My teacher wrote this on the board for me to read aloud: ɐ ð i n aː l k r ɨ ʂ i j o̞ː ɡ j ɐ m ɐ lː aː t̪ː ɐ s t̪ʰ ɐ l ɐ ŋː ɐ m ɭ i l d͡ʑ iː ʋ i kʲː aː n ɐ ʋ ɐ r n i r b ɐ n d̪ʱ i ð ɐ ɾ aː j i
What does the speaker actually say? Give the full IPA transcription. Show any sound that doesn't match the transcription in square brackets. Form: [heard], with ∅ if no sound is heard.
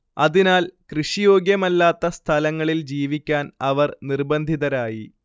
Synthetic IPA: ɐ ð i n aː l k r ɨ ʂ i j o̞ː ɡ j ɐ m ɐ lː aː t̪ː ɐ s t̪ʰ ɐ l ɐ ŋː ɐ [∅] ɭ i l d͡ʑ iː ʋ i kʲː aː n ɐ ʋ ɐ r n i r b ɐ n d̪ʱ i ð ɐ ɾ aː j i